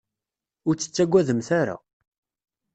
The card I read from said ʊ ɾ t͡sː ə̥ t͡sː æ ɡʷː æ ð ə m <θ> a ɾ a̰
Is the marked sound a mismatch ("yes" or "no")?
no